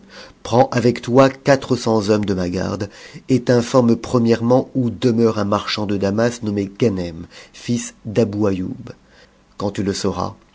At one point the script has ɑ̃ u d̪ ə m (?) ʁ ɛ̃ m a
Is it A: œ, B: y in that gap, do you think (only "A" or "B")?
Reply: A